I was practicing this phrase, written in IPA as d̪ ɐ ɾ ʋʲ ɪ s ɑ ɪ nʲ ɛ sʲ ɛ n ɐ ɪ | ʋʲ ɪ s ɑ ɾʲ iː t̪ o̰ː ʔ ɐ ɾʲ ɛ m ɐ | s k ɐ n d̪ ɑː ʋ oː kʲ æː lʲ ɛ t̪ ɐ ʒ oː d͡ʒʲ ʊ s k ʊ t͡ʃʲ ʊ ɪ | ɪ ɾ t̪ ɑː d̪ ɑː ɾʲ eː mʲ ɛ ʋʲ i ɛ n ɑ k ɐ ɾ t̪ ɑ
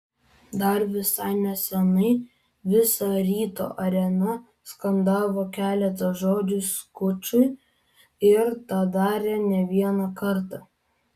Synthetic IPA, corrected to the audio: d̪ ɐ ɾ ʋʲ ɪ s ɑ ɪ nʲ ɛ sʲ ɛ n ɐ ɪ | ʋʲ ɪ s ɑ ɾʲ iː t̪ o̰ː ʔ ɐ ɾʲ ɛ n ɐ | s k ɐ n d̪ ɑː ʋ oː kʲ æː lʲ ɛ t̪ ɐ ʒ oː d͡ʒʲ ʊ s k ʊ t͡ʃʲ ʊ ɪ | ɪ ɾ t̪ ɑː d̪ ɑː ɾʲ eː nʲ ɛ ʋʲ i ɛ n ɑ k ɐ ɾ t̪ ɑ